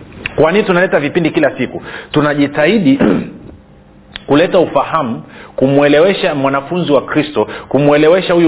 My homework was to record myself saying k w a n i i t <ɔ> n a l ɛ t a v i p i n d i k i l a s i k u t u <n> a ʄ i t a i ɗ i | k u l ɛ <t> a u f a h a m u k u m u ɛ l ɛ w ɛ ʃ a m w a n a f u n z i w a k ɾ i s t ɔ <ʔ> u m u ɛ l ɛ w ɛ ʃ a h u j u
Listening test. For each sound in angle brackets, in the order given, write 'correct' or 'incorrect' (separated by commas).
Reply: incorrect, correct, correct, incorrect